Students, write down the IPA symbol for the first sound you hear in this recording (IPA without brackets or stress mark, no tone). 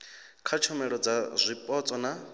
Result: kʰ